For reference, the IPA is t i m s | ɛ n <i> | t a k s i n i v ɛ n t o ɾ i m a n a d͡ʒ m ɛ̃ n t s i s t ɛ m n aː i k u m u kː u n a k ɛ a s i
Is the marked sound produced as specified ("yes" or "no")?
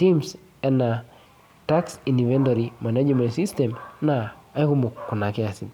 no